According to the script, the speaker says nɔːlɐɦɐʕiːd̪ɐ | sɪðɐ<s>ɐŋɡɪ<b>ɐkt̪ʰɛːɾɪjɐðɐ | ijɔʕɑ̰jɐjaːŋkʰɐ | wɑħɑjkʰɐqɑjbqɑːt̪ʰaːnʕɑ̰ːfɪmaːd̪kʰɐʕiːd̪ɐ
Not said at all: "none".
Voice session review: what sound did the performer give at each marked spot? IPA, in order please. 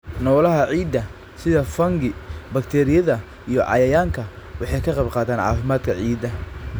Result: f, b

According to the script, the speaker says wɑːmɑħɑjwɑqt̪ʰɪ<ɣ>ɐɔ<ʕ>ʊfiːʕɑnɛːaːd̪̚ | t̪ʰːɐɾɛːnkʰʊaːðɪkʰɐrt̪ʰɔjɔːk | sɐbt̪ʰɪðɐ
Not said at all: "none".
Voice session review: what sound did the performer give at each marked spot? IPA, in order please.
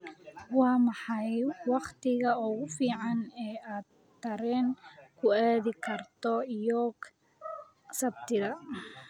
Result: ɣ, ɣ

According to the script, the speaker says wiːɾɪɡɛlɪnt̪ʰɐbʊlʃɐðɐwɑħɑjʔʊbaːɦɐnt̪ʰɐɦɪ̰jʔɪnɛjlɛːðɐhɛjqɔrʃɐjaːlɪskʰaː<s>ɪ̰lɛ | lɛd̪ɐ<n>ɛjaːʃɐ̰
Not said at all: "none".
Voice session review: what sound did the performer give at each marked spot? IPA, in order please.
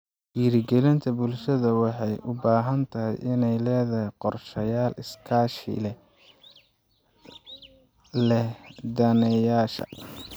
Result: ʃ, n

